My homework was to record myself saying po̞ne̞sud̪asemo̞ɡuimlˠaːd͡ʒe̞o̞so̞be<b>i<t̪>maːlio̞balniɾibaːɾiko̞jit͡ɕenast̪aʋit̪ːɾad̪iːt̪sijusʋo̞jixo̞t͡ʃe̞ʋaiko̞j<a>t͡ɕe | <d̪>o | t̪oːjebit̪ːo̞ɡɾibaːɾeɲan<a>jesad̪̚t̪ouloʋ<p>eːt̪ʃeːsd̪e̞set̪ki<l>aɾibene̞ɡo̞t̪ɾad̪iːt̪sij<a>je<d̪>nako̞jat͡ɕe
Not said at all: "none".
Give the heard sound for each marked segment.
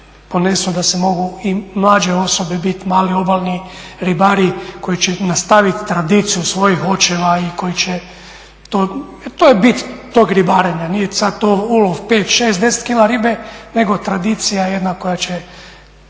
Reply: b, t̪, i, t̪, i, p, l, a, d̪

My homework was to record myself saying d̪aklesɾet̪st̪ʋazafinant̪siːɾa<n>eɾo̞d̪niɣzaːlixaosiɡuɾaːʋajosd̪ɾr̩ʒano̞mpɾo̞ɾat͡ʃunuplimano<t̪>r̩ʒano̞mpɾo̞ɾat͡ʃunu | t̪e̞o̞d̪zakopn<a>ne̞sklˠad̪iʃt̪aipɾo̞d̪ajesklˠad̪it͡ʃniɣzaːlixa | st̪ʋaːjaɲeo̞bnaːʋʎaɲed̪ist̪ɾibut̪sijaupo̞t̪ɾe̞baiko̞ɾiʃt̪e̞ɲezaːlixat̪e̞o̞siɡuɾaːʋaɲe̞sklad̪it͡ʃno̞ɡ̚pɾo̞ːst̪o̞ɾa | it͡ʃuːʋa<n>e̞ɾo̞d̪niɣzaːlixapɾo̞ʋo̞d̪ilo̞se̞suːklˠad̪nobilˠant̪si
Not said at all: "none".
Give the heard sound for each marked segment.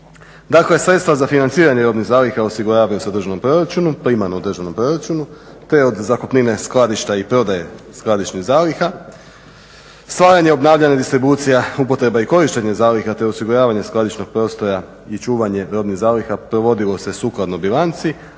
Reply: ɲ, d̪, i, ɲ

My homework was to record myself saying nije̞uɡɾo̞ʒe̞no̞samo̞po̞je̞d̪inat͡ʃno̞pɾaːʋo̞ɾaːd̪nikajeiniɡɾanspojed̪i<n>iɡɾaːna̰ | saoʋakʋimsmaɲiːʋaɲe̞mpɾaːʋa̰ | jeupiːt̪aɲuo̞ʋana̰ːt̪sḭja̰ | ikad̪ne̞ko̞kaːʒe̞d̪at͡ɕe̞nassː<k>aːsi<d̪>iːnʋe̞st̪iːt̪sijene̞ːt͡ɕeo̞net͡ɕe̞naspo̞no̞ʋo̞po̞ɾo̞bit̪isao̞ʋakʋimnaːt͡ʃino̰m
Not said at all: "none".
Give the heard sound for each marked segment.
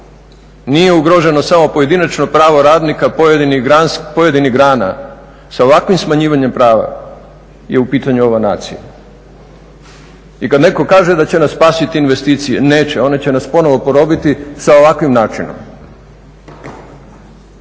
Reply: n, p, t̪

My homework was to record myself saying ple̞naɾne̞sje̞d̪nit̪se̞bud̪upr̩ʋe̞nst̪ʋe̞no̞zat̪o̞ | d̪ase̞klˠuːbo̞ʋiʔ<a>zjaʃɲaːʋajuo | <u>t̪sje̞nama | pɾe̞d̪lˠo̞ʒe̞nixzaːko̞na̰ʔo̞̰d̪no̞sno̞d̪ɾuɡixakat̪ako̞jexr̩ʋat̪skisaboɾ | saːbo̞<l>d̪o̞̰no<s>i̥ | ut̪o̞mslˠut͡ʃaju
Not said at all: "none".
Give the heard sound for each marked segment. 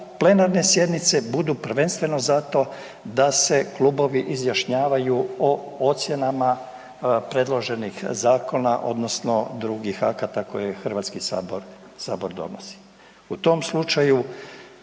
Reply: i, o, ɾ, s

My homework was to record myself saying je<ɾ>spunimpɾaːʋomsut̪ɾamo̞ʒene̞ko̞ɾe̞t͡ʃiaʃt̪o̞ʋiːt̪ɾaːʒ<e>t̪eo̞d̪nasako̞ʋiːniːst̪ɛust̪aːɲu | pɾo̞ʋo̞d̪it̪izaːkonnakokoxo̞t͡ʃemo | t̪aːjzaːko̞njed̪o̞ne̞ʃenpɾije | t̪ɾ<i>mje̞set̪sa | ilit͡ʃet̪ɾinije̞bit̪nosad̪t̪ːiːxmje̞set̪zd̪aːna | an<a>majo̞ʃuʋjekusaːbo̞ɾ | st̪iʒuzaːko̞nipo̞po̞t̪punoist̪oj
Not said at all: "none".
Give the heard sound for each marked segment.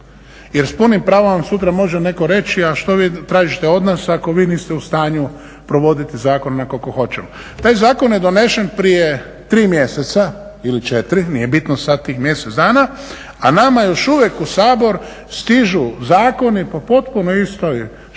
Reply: ɾ, i, iː, a

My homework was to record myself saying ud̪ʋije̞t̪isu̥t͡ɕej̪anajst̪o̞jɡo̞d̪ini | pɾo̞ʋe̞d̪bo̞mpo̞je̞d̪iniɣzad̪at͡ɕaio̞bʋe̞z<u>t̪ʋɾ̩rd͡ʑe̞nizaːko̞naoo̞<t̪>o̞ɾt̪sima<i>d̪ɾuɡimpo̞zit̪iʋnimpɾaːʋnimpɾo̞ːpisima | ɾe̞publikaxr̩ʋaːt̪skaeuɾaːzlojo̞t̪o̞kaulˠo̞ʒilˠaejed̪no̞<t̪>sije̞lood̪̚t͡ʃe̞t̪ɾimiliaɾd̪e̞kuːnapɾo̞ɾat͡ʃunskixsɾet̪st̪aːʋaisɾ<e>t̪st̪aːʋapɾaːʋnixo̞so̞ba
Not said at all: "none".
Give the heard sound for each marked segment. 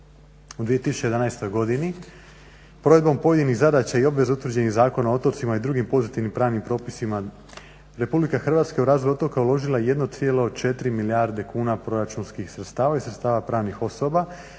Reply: u, t̪, i, t̪, e

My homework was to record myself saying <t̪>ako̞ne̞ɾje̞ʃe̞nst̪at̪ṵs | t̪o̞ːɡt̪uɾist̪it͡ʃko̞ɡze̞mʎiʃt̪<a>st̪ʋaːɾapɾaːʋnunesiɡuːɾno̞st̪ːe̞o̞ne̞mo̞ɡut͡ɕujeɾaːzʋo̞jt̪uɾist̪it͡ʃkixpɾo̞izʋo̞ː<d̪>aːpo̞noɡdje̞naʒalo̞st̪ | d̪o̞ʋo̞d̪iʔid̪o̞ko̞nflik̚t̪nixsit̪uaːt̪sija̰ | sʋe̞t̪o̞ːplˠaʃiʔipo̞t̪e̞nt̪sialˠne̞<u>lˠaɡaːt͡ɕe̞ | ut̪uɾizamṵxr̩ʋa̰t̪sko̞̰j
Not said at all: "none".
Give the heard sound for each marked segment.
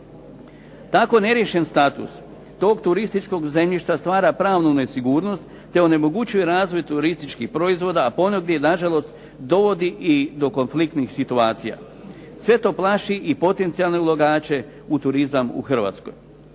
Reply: t̪, a, d̪, u

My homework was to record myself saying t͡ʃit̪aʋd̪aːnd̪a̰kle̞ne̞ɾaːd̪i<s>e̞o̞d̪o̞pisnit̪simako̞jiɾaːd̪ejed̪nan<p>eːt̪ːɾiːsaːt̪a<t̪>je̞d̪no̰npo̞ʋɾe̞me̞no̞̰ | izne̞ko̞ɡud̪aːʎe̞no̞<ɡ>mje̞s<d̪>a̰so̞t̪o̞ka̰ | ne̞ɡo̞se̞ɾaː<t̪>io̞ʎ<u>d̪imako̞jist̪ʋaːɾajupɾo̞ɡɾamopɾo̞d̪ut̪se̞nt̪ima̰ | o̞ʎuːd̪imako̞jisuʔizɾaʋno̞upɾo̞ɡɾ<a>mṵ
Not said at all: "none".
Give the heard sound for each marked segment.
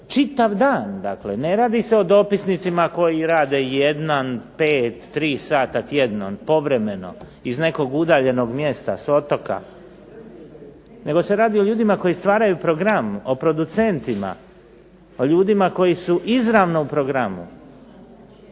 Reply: s, p, t̪, ɡ, t̪, d̪, uː, a

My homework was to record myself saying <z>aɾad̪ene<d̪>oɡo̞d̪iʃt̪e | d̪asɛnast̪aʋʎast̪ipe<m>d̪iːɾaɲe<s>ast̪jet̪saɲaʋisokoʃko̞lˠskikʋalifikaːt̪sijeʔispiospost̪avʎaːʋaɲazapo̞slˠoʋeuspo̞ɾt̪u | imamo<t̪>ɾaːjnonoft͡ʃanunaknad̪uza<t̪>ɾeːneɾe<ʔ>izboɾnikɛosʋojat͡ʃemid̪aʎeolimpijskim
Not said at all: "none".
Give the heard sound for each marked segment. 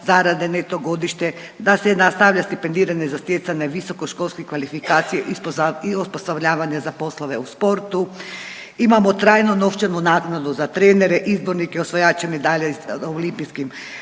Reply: z, t̪, n, z, t̪, t̪, ʔ

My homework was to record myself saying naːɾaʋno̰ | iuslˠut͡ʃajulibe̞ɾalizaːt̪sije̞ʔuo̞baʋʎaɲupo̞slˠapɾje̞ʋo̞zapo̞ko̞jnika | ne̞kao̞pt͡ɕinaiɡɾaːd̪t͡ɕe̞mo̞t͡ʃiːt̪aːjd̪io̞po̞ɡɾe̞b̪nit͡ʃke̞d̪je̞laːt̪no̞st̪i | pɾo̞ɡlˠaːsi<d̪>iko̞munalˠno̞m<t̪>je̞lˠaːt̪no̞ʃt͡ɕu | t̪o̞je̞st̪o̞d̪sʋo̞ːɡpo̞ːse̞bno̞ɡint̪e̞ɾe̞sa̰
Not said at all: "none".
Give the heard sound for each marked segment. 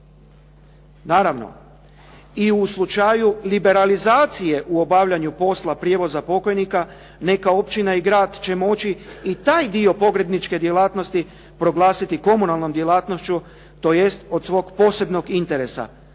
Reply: t̪, d̪

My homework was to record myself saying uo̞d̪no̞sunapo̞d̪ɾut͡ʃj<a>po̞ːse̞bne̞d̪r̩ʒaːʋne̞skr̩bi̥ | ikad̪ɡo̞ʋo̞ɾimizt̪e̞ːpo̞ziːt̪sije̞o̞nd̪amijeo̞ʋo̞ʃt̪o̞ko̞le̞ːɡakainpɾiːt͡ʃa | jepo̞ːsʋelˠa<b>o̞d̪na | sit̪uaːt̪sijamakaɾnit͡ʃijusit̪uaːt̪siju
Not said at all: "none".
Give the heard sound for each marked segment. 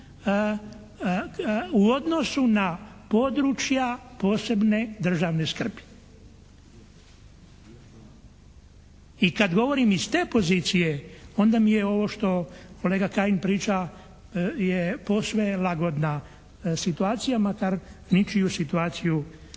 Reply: a, ɡ

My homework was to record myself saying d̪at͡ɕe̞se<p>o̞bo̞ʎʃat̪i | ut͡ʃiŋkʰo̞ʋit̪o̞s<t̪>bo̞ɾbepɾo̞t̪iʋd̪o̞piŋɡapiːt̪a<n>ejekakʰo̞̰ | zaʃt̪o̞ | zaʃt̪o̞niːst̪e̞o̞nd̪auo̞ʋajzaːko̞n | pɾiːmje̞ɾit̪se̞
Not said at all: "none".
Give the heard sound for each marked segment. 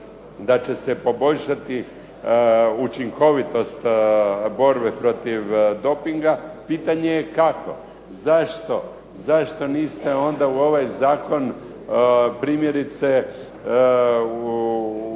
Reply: p, t̪, ɲ

